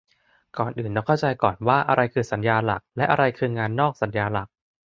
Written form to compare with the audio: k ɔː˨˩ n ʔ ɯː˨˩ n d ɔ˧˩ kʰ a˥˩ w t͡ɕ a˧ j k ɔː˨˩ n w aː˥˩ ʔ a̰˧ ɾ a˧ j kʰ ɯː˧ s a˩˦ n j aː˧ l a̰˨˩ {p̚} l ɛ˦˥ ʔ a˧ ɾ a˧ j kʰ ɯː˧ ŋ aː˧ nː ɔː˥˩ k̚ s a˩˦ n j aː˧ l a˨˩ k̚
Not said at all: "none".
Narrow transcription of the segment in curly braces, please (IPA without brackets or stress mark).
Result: k̚